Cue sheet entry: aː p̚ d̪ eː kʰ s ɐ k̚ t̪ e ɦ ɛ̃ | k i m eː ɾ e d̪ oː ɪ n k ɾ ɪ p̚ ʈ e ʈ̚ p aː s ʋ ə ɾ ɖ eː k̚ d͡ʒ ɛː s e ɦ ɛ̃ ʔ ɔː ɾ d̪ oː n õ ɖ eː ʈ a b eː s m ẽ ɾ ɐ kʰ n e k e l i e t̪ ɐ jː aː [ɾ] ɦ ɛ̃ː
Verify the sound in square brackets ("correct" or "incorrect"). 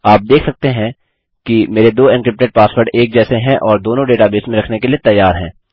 correct